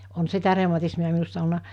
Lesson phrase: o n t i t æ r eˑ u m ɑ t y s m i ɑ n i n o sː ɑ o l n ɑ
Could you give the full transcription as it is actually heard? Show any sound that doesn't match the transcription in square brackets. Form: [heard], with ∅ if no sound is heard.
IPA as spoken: o n [s] i t æ r eˑ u m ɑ t [i] s m i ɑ [m] i n [u] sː ɑ o l n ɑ